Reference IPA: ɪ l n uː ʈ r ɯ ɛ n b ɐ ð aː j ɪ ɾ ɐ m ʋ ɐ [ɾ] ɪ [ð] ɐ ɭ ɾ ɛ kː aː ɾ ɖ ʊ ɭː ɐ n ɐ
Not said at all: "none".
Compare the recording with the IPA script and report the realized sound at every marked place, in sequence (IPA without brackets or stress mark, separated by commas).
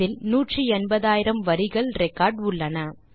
ɾ, ɣ